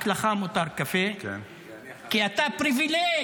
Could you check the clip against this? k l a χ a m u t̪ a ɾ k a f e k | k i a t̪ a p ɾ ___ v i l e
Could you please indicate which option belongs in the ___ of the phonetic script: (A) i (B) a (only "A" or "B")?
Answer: A